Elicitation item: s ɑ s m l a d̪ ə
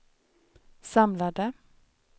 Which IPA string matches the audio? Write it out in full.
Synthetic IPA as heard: s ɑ m l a d̪ ə